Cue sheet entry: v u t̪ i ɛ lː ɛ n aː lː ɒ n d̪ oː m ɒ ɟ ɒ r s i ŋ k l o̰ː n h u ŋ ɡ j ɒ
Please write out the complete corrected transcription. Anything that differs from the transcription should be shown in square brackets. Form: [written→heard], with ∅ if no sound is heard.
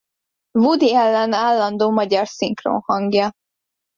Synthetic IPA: v u [t̪→d̪] i ɛ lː ɛ n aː lː ɒ n d̪ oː m ɒ ɟ ɒ r s i ŋ k [l→r] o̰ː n h [u→ɒ] ŋ ɡ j ɒ